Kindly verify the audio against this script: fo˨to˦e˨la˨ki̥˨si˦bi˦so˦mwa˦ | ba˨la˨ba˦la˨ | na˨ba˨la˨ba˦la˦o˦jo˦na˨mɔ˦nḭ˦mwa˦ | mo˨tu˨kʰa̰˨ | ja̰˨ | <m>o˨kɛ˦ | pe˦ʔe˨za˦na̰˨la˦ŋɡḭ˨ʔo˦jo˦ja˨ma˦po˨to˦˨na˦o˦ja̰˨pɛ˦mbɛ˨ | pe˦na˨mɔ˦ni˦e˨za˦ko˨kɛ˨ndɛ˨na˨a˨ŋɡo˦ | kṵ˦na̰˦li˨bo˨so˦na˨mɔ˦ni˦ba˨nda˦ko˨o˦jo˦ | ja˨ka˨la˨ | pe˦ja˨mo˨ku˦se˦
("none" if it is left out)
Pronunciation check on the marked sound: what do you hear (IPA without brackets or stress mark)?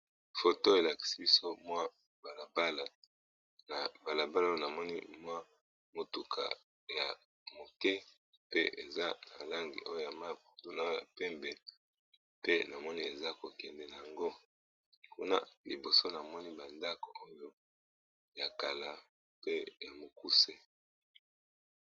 m